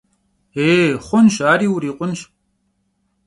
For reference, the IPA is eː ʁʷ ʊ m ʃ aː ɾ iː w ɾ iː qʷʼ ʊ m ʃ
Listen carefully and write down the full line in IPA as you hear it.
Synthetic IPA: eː χʷ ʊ n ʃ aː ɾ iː w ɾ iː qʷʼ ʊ n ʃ